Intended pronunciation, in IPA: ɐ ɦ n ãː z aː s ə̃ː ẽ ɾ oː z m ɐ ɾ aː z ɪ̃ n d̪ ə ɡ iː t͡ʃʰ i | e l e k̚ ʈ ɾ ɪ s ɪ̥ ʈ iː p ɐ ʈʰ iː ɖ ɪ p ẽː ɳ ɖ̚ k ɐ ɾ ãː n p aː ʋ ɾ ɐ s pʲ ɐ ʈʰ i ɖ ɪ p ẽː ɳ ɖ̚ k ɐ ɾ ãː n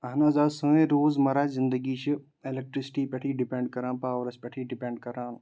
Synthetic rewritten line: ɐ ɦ n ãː z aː s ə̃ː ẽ ɾ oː z m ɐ ɾ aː z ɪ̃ n d̪ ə ɡ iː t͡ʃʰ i | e l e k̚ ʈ ɾ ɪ s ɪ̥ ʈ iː p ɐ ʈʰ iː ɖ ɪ p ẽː ɳ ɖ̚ k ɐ ɾ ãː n p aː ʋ ɾ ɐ s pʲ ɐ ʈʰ i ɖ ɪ p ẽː ɳ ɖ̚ k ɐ ɾ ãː n